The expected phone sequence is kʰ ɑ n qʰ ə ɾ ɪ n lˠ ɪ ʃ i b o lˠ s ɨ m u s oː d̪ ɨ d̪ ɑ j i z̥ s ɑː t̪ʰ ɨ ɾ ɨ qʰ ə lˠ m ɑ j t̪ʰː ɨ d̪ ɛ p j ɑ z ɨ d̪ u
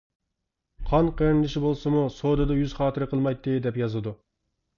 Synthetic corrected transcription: qʰ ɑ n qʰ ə ɾ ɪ n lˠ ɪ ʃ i b o lˠ s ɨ m u s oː d̪ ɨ d̪ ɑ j y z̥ χ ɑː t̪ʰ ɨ ɾ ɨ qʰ ə lˠ m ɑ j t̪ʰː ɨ d̪ ɛ p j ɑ z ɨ d̪ u